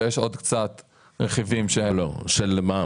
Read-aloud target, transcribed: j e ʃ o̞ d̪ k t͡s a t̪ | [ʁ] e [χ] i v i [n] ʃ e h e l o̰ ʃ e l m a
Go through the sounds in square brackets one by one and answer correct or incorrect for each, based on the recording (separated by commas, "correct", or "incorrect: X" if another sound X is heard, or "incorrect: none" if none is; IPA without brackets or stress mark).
correct, correct, incorrect: m